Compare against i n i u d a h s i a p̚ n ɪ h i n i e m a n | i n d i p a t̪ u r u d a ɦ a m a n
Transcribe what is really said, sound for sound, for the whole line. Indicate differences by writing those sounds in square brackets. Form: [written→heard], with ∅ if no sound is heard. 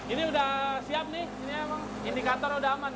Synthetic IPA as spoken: i n i u d a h s i a p̚ n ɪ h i n i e m a [n→ŋ] | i n d i [p→k] a t̪ [u→ɔ] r u d a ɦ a m a n